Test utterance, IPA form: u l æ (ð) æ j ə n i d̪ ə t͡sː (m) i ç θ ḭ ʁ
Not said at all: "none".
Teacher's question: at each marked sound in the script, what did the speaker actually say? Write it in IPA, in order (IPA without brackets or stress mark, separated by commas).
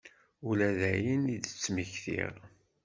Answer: ð, m